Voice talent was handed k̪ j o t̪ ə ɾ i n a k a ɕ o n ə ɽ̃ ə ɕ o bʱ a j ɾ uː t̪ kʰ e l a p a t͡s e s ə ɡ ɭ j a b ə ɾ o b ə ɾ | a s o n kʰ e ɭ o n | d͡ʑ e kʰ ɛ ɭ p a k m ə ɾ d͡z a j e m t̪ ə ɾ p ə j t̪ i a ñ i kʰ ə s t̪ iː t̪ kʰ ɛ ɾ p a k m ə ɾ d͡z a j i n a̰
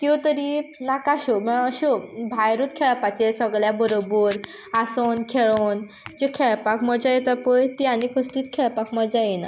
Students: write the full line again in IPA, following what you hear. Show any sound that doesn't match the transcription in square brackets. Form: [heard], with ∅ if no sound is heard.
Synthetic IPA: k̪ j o t̪ ə ɾ i n a k a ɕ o [m] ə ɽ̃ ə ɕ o bʱ a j ɾ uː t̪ kʰ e [ɭ] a p a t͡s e s ə ɡ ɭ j a b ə ɾ o b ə ɾ | a s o n kʰ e ɭ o n | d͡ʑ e kʰ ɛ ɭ p a k m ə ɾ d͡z a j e [∅] t̪ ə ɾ p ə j t̪ i a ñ i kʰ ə s t̪ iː t̪ kʰ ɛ [ɭ] p a k m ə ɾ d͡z a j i n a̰